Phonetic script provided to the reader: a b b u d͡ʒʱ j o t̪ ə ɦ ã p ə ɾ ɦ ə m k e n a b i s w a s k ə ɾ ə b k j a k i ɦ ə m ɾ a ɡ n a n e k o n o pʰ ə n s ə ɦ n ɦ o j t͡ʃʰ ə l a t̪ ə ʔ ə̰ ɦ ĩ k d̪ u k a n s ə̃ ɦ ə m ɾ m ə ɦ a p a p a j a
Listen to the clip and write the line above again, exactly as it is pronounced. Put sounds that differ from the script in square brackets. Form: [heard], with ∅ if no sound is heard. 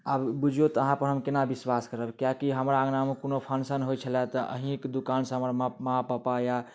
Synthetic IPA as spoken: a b b u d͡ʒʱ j o t̪ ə ɦ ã p ə ɾ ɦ ə m k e n a b i s w a s k ə ɾ ə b k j a k i ɦ ə m ɾ a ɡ n a [m] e k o n o pʰ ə n s ə [∅] n ɦ o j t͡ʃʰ ə l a t̪ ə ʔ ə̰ ɦ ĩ k d̪ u k a n s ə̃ ɦ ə m ɾ m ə ɦ a p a p a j a